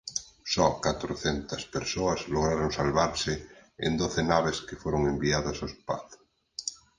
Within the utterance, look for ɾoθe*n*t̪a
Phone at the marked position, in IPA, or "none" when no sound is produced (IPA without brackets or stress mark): n